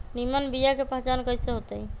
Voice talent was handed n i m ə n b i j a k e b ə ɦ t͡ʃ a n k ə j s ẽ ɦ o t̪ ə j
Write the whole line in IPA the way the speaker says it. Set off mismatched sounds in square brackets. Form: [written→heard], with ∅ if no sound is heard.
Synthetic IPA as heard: n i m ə n b i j a k e [b→p] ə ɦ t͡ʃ a n k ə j s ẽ ɦ o t̪ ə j